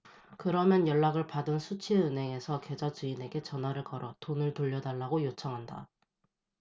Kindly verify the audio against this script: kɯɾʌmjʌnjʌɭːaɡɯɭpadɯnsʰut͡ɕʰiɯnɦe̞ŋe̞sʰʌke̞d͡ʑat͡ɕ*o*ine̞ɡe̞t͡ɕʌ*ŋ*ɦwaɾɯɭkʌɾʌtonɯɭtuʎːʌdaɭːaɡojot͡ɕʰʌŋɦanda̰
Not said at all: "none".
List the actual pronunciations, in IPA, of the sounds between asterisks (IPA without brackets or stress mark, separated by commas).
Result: u, n